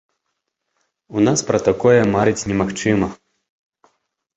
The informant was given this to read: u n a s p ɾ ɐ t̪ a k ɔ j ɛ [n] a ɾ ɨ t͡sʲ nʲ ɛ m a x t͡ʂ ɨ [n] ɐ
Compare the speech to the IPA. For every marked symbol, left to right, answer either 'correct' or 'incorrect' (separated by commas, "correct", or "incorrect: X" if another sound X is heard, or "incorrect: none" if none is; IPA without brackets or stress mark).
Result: incorrect: m, incorrect: m